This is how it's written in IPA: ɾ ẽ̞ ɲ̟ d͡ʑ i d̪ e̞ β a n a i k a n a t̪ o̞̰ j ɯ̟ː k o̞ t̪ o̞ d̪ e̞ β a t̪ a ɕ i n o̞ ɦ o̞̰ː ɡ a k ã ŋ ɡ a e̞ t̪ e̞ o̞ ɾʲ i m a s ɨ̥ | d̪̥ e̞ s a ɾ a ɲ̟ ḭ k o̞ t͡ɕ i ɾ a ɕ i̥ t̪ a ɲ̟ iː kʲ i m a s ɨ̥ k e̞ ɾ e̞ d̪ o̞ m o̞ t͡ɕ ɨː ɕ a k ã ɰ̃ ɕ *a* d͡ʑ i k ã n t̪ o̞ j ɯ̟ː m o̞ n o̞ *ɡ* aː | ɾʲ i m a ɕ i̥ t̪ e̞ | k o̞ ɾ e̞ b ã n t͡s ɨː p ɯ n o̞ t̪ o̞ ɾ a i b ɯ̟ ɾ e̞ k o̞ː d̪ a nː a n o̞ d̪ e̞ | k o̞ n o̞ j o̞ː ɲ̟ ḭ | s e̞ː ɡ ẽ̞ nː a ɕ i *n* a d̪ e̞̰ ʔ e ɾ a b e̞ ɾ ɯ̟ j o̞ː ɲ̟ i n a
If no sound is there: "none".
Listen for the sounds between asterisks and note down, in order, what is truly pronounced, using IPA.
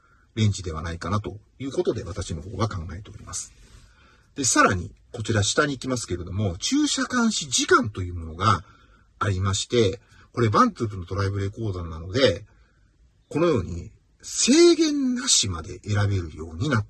i, ɡ, m

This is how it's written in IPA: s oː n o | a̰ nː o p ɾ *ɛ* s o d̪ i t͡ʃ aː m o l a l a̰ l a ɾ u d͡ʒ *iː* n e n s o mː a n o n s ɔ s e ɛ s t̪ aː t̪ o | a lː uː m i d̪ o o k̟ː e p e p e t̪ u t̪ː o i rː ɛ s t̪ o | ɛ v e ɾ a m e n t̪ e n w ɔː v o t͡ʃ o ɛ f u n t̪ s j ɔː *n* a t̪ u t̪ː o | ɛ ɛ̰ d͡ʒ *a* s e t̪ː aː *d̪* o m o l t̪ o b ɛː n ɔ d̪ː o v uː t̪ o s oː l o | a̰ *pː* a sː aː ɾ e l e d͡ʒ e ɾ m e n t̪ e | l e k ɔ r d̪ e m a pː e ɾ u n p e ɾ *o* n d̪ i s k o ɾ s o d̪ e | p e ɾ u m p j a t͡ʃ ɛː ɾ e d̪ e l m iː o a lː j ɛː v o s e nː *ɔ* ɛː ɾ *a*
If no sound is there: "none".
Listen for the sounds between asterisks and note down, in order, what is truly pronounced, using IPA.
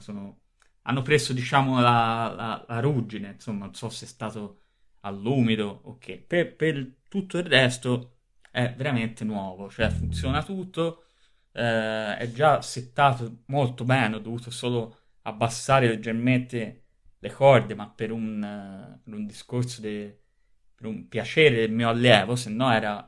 e, i, n, a, t̪, bː, u, ɔ, a

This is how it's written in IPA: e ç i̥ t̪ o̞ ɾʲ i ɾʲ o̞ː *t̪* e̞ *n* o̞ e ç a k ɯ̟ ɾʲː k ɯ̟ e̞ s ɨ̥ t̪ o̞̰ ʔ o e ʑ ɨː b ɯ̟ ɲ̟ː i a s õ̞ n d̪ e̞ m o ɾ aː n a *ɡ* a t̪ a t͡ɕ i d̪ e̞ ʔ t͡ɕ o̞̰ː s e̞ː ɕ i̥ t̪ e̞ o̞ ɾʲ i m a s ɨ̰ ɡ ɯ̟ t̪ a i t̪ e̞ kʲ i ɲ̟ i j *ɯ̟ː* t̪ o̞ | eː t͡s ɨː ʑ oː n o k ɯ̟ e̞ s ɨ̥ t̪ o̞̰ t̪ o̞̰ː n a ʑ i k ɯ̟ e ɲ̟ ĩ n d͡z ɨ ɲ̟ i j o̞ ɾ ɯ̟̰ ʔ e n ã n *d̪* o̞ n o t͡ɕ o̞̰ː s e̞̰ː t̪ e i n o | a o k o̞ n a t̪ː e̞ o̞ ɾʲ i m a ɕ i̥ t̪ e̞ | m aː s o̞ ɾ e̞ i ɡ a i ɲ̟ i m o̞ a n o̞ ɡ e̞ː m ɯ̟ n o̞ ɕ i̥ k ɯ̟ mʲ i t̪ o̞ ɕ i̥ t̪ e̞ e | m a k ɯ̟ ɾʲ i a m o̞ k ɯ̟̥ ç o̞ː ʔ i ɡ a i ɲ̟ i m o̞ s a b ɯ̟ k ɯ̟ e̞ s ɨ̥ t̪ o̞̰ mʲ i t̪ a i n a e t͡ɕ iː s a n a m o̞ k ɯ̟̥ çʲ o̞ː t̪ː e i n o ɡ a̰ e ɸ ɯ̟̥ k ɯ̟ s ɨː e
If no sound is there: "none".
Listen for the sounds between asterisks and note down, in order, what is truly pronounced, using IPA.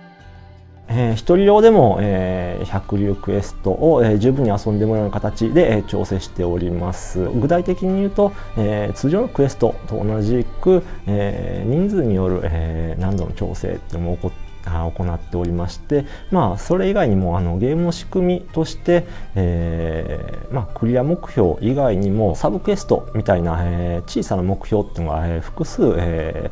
d̪, m, k, ɯ̟ː, d̪

